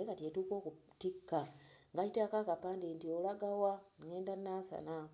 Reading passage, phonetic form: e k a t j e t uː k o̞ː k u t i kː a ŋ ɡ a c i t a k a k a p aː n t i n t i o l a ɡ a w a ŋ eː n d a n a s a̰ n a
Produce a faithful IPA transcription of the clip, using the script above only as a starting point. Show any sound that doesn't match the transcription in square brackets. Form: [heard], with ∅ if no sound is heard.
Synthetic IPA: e k a t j e t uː k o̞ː k u t i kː a ŋ ɡ a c i t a k a k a p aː n [d] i n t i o l a ɡ a w a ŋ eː n d a n a s a̰ n a